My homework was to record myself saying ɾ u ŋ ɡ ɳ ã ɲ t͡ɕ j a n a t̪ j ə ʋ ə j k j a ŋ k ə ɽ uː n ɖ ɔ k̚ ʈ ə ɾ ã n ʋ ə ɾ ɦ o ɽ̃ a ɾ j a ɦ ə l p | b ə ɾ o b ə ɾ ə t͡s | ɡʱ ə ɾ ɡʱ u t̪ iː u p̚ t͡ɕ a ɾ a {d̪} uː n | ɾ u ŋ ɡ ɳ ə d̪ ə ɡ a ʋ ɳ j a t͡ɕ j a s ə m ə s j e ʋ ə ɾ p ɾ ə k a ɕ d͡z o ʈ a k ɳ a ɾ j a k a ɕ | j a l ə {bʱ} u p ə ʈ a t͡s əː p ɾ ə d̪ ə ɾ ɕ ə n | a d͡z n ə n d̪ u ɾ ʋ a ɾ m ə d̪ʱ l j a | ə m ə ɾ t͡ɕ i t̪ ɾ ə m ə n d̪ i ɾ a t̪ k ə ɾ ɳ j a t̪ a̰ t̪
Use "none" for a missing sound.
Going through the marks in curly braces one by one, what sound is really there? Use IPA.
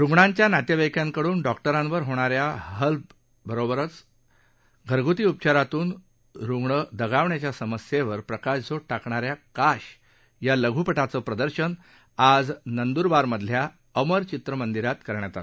t̪, ɡʱ

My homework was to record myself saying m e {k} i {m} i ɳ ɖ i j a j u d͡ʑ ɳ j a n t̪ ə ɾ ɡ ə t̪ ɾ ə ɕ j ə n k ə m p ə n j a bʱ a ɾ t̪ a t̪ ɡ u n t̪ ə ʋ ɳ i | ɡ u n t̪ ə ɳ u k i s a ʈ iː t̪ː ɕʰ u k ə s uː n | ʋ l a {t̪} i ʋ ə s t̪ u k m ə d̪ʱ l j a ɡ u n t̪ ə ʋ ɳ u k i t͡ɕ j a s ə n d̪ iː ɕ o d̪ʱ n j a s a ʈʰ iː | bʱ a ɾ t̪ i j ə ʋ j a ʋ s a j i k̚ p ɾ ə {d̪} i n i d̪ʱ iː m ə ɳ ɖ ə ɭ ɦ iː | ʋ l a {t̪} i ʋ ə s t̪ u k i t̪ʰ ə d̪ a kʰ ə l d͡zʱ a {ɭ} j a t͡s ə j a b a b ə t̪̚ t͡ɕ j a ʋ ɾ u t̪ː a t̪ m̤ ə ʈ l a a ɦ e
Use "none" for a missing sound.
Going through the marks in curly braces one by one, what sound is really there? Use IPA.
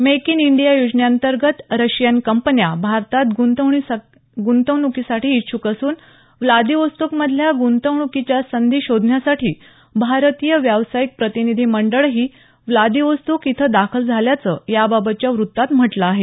k, n, d̪, t̪, d̪, l

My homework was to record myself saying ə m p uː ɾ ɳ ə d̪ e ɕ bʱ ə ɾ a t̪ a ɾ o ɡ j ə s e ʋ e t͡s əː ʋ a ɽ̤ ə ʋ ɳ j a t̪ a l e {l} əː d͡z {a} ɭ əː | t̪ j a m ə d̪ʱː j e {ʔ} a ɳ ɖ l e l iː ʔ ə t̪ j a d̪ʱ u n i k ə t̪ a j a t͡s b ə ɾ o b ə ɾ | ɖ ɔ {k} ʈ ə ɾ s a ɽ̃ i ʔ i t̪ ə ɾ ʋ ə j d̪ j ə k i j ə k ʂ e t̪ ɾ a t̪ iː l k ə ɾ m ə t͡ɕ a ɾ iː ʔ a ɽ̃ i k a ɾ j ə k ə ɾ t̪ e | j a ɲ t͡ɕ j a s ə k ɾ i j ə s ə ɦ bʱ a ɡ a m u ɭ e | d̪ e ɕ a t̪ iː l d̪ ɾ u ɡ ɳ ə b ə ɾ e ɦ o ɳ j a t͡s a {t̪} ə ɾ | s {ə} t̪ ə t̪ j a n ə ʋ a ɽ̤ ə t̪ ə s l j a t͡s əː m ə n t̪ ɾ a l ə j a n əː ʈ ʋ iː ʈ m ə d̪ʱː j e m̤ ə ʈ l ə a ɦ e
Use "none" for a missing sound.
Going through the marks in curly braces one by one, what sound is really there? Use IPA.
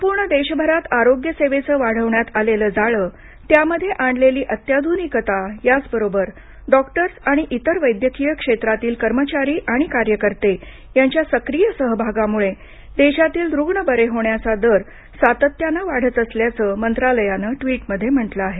l, a, ʔ, k, d̪, a

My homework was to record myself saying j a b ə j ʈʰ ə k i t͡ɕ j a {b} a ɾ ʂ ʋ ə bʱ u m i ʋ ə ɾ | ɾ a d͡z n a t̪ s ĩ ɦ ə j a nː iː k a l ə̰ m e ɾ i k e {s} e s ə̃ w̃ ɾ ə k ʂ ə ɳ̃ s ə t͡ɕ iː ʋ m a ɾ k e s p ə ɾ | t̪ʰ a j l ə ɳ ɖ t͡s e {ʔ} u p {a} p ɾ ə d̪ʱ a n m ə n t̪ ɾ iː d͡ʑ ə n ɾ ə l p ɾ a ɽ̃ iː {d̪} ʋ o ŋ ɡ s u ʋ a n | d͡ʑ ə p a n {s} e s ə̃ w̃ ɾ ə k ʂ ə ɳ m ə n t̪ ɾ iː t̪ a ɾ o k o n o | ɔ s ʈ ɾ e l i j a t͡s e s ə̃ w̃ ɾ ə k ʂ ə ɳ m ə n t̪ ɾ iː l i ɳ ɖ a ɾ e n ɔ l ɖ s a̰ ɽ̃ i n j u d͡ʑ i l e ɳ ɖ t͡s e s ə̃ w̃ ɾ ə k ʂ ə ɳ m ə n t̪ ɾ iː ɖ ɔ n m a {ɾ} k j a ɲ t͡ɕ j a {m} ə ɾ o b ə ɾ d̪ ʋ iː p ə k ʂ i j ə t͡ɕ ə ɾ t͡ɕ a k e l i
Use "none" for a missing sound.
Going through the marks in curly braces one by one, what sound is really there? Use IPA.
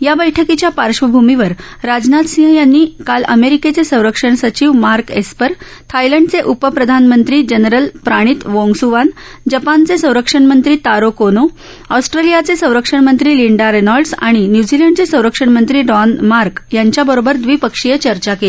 p, t͡s, ʔ, ə, t̪, t͡s, ɾ, b

